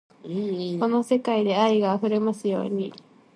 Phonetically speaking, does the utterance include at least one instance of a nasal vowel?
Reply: no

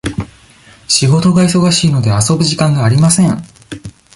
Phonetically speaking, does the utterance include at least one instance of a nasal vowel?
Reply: yes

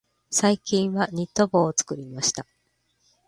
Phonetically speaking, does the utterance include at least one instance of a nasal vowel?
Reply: yes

